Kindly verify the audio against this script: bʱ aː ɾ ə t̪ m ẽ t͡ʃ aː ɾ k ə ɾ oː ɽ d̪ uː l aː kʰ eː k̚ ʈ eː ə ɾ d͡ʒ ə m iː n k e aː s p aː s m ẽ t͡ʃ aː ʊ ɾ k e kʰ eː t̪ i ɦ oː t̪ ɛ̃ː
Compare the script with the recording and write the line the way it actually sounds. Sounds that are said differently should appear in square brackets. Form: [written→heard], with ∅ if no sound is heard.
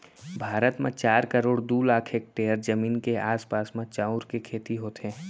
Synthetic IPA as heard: bʱ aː ɾ ə t̪ m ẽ t͡ʃ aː ɾ k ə ɾ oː ɽ d̪ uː l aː kʰ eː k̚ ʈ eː ə ɾ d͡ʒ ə m iː n k e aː s p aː s m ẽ t͡ʃ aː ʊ ɾ k e kʰ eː t̪ i ɦ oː t̪ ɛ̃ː